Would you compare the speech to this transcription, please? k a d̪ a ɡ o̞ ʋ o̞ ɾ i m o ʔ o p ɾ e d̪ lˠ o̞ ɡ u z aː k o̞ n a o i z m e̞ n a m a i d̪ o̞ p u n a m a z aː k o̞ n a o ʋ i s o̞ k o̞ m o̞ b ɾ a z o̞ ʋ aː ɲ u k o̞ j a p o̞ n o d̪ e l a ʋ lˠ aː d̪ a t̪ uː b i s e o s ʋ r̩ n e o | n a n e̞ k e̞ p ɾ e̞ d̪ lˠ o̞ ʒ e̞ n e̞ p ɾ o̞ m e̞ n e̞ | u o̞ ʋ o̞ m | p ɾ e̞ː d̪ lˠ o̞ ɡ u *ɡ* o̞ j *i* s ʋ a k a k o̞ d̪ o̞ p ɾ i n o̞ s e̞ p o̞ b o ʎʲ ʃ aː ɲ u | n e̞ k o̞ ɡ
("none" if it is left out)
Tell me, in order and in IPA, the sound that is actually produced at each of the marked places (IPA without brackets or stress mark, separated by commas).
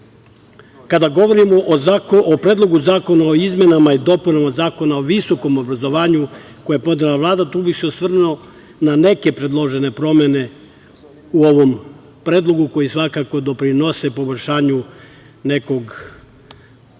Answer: k, i